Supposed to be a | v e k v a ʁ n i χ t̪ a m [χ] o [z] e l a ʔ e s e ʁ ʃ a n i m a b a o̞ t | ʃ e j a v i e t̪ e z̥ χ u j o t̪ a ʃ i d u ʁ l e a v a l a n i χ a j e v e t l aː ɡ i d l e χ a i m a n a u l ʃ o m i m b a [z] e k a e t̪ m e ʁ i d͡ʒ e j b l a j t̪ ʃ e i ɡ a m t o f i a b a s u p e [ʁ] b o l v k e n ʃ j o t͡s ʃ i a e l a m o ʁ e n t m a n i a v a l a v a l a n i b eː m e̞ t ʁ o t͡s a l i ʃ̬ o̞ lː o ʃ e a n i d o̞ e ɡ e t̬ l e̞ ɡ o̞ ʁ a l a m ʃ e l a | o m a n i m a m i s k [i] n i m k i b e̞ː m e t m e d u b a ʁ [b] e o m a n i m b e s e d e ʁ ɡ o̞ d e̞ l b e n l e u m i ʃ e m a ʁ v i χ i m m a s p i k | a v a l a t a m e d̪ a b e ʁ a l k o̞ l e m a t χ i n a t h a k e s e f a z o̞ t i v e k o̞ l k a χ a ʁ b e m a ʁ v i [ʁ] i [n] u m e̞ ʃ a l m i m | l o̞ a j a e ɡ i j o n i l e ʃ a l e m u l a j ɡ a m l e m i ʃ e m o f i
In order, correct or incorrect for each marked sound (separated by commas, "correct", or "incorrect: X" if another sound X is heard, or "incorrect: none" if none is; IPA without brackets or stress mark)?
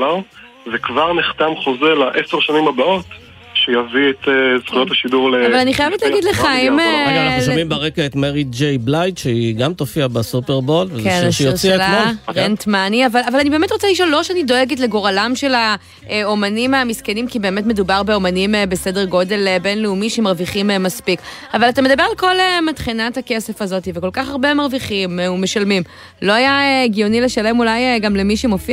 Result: correct, correct, incorrect: ʁ, correct, incorrect: e, correct, incorrect: χ, incorrect: m